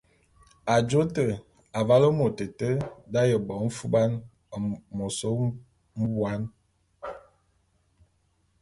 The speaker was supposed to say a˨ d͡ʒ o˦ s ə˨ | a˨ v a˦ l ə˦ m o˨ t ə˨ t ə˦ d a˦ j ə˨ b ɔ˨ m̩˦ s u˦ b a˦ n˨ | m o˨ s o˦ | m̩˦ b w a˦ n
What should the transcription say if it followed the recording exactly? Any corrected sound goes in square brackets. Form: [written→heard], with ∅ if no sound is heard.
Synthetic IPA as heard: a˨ d͡ʒ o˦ [s→t] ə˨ | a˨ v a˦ l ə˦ m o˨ t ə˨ t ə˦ d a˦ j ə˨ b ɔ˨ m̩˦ [s→f] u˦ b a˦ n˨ | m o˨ s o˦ | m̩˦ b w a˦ n